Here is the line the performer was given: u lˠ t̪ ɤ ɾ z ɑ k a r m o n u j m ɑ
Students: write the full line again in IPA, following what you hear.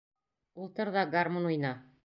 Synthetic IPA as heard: u lˠ t̪ ɤ ɾ ð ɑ ɡ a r m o n u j n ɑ